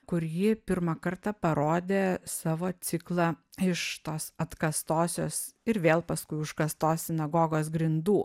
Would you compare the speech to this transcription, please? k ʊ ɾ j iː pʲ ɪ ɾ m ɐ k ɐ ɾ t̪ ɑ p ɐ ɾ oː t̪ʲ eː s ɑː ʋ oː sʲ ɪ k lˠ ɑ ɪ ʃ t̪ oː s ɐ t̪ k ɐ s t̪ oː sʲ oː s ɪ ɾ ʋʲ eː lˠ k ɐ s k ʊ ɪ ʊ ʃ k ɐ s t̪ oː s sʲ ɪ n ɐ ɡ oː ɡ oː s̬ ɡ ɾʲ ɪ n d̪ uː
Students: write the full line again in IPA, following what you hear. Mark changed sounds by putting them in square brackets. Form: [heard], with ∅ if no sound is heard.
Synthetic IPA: k ʊ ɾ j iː pʲ ɪ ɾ m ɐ k ɐ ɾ t̪ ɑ p ɐ ɾ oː [d̪ʲ] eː s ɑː ʋ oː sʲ ɪ k lˠ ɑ ɪ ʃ t̪ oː s ɐ t̪ k ɐ s t̪ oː sʲ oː s ɪ ɾ ʋʲ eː lˠ [p] ɐ s k ʊ ɪ ʊ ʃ k ɐ s t̪ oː s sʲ ɪ n ɐ ɡ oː ɡ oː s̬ ɡ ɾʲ ɪ n d̪ uː